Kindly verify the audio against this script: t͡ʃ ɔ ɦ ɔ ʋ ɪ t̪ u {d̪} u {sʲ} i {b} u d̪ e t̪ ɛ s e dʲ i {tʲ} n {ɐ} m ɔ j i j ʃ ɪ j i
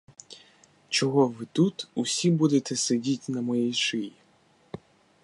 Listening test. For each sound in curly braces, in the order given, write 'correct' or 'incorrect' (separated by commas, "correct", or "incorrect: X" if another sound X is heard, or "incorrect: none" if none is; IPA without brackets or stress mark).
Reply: incorrect: t̪, correct, correct, correct, correct